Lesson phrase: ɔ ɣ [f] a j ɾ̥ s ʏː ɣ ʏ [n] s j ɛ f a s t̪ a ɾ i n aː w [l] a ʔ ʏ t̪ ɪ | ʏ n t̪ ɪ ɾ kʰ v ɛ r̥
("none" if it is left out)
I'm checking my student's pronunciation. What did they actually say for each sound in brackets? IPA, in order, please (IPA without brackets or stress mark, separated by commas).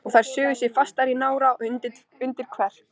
θ, none, ɾ